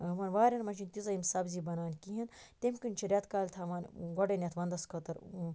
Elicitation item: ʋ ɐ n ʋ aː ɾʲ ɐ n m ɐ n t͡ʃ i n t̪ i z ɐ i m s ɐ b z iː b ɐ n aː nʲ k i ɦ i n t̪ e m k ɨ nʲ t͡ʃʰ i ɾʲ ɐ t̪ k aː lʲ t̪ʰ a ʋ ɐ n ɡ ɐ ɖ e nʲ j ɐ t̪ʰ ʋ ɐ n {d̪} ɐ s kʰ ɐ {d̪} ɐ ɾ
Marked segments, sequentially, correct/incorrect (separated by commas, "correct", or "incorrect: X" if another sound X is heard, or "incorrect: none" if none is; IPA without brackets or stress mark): correct, incorrect: t̪